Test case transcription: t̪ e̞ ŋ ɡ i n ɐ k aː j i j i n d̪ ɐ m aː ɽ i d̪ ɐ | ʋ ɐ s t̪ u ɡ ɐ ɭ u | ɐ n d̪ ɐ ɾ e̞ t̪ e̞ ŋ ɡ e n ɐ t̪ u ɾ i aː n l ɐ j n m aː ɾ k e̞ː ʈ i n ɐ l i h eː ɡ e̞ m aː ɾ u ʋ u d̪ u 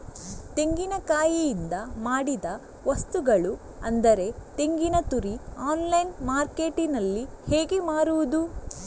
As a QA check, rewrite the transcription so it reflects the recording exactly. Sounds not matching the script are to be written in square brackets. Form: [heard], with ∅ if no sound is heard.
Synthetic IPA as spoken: t̪ e̞ ŋ ɡ i n ɐ k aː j i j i n d̪ ɐ m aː ɽ i d̪ ɐ | ʋ ɐ s t̪ u ɡ ɐ ɭ u | ɐ n d̪ ɐ ɾ e̞ t̪ e̞ ŋ ɡ [i] n ɐ t̪ u ɾ i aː n l ɐ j n m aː ɾ k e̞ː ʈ i n ɐ [lː] i h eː ɡ e̞ m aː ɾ u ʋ u d̪ u